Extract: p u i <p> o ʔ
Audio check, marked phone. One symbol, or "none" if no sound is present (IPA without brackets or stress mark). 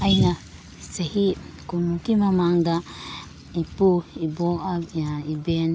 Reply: b